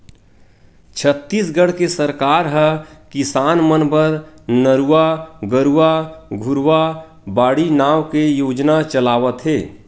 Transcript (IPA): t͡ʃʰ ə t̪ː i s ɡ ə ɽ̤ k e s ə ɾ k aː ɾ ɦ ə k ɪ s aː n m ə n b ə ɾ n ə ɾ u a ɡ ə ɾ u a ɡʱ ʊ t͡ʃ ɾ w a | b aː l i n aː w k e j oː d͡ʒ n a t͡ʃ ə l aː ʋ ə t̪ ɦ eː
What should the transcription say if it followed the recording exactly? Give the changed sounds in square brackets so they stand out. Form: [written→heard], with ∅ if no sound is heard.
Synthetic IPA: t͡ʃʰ ə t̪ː i s ɡ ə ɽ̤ k e s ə ɾ k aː ɾ ɦ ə k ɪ s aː n m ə n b ə ɾ n ə ɾ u a ɡ ə ɾ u a ɡʱ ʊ [t͡ʃ→∅] ɾ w a | b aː [l→ɽ] i n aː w k e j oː d͡ʒ n a t͡ʃ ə l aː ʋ ə t̪ ɦ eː